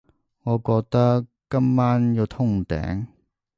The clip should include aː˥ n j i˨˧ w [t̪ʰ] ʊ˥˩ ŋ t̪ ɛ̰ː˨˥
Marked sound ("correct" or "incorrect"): correct